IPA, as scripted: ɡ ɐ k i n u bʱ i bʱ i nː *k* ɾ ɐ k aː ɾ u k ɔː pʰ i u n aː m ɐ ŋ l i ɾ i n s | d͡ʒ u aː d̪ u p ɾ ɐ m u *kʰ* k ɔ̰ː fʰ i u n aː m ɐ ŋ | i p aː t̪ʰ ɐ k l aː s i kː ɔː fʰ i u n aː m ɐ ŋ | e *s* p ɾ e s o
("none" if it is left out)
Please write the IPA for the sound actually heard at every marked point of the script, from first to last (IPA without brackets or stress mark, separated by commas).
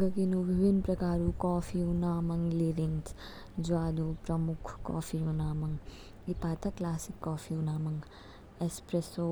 p, kʰ, s